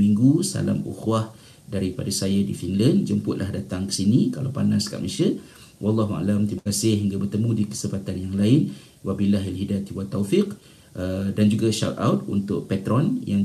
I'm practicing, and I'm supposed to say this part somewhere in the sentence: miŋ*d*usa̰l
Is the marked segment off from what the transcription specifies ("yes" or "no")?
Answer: yes